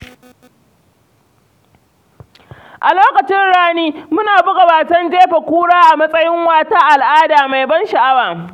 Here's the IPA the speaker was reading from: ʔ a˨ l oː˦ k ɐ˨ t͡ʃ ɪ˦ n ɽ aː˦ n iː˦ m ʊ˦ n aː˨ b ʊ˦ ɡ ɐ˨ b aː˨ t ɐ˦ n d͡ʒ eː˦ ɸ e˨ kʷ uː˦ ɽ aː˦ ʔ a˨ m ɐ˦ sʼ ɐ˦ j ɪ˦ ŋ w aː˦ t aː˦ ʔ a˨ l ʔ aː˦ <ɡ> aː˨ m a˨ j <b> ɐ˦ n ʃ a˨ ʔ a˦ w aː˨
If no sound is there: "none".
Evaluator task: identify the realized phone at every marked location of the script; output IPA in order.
d, b

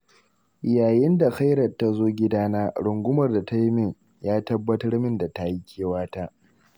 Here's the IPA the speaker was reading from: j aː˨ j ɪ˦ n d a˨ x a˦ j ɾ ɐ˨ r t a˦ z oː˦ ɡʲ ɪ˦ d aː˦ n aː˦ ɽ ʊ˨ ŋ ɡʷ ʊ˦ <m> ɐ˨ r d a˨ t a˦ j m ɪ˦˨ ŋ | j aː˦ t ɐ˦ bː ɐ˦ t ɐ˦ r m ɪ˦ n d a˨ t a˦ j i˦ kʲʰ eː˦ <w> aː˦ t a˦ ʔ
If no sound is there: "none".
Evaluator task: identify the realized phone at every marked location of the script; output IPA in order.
m, w

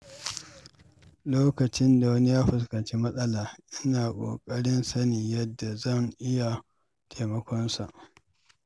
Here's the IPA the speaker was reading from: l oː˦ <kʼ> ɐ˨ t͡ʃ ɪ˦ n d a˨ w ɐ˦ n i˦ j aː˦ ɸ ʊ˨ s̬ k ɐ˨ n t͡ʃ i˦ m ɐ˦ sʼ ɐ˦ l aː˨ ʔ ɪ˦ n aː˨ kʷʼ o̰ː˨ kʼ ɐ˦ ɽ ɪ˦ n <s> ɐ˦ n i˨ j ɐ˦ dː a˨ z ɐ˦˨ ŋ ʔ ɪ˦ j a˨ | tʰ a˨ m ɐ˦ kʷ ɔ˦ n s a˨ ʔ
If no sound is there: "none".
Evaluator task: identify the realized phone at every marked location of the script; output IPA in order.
k, s

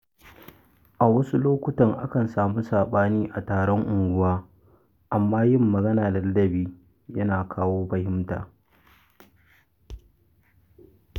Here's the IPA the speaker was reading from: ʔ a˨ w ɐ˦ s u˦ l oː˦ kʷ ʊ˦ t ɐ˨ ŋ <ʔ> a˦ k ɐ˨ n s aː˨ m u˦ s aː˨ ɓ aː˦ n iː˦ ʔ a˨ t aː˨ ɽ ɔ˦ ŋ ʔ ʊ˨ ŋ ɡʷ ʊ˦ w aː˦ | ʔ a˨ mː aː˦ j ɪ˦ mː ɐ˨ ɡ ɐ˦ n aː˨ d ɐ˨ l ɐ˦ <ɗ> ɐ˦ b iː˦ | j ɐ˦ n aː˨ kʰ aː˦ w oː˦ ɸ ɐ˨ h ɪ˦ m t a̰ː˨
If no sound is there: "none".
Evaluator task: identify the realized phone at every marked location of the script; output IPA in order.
ʔ, d

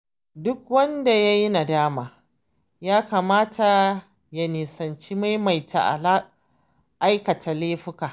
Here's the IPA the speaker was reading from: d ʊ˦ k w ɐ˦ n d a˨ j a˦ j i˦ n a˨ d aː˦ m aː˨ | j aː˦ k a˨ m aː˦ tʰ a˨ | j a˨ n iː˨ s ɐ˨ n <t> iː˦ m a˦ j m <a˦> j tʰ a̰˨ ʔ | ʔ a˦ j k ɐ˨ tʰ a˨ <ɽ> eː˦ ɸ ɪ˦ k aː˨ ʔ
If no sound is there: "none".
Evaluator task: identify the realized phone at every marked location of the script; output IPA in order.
t͡ʃ, a˨, l

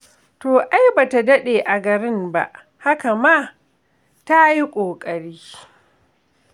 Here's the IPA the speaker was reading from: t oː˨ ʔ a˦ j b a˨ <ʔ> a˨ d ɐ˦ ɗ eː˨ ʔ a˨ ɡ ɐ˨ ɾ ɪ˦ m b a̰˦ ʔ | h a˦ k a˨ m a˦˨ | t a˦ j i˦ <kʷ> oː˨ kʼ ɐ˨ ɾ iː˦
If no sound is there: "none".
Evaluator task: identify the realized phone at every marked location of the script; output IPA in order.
t, kʷʼ

